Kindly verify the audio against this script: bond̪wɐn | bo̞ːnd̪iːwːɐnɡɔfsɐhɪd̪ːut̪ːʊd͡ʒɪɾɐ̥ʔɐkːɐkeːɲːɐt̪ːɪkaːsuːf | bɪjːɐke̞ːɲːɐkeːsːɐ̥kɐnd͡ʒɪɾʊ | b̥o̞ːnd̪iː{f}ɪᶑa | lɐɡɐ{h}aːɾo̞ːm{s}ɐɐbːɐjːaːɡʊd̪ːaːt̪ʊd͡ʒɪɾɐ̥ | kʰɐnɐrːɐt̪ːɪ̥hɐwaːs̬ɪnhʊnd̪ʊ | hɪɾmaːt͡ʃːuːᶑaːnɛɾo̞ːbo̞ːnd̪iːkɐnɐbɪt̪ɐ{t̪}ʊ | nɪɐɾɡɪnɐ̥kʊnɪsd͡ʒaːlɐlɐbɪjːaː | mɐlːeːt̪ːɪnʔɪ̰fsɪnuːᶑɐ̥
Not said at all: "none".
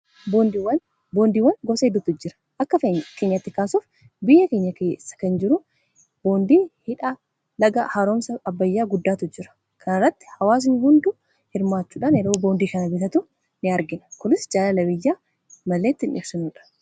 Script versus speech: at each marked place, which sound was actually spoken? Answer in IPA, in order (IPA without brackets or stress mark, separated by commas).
h, h, s, t̪